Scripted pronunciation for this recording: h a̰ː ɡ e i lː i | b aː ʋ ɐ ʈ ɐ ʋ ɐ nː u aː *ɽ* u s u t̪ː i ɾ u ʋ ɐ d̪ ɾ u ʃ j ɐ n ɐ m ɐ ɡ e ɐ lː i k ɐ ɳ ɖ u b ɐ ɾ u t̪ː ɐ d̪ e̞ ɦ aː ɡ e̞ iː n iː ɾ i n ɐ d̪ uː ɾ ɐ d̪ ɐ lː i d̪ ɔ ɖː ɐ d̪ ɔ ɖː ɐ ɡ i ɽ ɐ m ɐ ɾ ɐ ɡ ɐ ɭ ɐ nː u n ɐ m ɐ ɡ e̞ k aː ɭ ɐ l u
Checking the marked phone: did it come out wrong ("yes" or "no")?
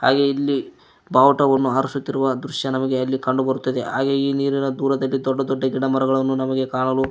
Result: yes